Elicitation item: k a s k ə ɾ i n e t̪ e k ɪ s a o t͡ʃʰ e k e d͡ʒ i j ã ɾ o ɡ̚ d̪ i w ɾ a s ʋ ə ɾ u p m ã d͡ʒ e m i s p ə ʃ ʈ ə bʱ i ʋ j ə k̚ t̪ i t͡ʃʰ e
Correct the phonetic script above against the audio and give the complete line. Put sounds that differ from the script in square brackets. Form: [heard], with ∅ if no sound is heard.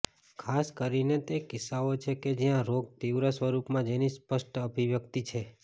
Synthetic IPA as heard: [kʰ] a s k ə ɾ i n e t̪ e k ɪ s a o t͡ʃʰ e k e d͡ʒ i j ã ɾ o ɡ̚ [t̪] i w ɾ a s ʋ ə ɾ u p m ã d͡ʒ e [n] i s p ə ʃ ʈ ə bʱ i ʋ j ə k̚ t̪ i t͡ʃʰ e